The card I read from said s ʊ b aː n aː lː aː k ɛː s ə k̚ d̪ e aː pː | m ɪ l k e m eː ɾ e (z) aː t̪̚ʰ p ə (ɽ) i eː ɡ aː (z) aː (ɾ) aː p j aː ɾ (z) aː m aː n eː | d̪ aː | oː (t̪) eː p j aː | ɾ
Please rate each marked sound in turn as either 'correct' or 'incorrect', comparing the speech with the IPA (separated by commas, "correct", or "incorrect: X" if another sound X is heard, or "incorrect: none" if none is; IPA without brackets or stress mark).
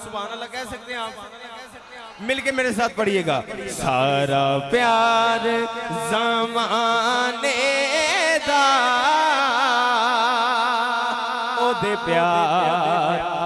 incorrect: s, correct, incorrect: s, correct, correct, incorrect: d̪